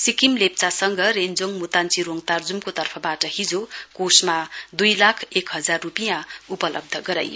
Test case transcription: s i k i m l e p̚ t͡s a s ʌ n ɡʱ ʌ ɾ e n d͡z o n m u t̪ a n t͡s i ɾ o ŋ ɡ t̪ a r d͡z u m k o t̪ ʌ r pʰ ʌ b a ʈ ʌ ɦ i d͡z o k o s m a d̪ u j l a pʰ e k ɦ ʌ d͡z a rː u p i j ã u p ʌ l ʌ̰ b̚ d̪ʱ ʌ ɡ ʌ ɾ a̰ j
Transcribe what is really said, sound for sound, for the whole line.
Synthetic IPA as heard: s i k i m l e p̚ t͡s a s ʌ ŋ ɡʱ ʌ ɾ e n d͡z o ŋ m u t̪ a n t͡s i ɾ o ŋ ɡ t̪ a r d͡z u m k o t̪ ʌ r pʰ ʌ b a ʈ ʌ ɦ i d͡z o k o s m a d̪ u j l a kʰ e k ɦ ʌ d͡z a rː u p i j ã u p ʌ l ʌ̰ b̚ d̪ʱ ʌ ɡ ʌ ɾ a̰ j